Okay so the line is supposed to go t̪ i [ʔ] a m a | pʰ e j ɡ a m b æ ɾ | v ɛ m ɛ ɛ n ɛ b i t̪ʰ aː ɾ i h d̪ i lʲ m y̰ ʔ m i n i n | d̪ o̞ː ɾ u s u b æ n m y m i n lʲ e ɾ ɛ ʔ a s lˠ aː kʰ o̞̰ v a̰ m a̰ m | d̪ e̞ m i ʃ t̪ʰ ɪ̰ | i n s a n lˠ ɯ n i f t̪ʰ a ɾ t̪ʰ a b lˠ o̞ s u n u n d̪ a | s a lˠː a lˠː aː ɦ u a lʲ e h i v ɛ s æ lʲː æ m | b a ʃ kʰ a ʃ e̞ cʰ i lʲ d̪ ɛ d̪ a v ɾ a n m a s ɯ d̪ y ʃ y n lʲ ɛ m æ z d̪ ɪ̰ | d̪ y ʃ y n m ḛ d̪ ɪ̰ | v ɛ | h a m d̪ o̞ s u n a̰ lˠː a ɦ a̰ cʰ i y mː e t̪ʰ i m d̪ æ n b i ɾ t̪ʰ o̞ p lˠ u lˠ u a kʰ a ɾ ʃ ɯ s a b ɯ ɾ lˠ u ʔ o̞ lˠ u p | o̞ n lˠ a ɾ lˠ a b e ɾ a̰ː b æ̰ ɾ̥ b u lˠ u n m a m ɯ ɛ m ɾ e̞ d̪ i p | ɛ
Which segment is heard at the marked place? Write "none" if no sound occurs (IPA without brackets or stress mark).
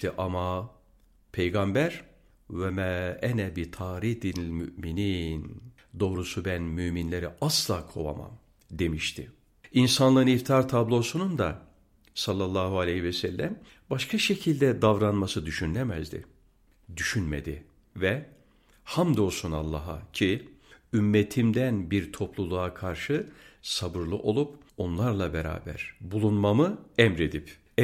ʔ